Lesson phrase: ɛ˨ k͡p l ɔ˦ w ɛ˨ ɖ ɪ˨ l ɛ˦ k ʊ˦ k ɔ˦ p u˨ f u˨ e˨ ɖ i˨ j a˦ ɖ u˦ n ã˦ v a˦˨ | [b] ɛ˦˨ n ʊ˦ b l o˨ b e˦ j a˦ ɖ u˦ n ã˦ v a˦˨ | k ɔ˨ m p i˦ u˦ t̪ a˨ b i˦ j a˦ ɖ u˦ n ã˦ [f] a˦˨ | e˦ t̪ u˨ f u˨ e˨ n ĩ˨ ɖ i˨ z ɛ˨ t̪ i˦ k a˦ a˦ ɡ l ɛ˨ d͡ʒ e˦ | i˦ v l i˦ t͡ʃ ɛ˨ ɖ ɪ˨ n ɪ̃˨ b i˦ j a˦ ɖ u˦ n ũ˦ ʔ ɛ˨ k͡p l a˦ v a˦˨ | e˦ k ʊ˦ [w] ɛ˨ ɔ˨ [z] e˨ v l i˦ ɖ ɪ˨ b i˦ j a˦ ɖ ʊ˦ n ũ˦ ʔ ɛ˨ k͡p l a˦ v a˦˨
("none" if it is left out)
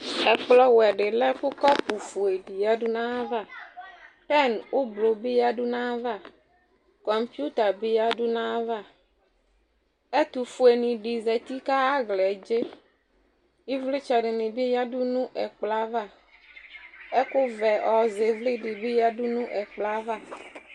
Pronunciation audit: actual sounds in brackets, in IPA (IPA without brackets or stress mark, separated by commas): p, v, v, z